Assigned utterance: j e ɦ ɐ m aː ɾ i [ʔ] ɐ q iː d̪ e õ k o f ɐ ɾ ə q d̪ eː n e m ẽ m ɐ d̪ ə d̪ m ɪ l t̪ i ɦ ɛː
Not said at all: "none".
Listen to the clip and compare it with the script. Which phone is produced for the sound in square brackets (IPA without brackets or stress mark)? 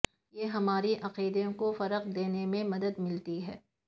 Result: ʔ